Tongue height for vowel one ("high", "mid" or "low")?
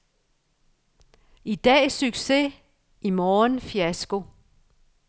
high